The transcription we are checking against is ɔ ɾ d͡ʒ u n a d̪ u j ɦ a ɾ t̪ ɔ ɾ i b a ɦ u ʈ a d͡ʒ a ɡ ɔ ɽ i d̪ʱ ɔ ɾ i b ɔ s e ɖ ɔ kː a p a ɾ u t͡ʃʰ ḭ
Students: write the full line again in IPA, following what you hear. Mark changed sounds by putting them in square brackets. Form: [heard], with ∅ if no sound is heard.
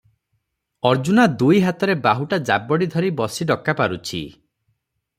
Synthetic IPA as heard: ɔ ɾ d͡ʒ u n a d̪ u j ɦ a [∅] t̪ ɔ ɾ [e] b a ɦ u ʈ a d͡ʒ a [b] ɔ ɽ i d̪ʱ ɔ ɾ i b ɔ s [i] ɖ ɔ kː a p a ɾ u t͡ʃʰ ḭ